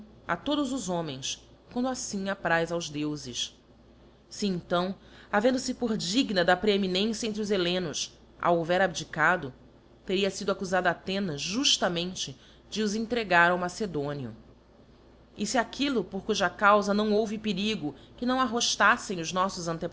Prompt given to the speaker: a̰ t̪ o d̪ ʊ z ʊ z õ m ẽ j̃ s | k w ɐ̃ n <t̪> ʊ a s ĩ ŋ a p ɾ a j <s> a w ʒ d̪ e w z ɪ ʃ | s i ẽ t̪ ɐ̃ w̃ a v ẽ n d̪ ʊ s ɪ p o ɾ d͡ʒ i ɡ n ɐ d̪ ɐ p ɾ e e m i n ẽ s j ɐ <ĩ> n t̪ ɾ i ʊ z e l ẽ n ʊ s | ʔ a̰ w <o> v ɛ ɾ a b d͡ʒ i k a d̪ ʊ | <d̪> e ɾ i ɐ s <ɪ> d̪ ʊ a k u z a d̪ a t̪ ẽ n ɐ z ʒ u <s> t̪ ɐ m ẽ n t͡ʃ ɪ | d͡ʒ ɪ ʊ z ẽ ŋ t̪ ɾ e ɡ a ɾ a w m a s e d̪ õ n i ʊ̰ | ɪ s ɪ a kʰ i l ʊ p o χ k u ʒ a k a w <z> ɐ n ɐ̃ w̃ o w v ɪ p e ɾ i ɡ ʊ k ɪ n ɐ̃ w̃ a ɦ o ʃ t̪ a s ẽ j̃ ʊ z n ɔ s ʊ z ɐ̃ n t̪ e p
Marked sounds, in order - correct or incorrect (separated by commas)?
incorrect, incorrect, incorrect, correct, incorrect, incorrect, incorrect, correct